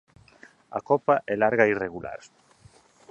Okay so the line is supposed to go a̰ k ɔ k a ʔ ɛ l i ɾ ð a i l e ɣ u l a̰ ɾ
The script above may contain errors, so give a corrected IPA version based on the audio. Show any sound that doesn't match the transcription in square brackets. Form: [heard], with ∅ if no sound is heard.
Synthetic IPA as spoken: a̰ k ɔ [p] a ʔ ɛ l [a] ɾ [ɣ] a i [r] e ɣ u l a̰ ɾ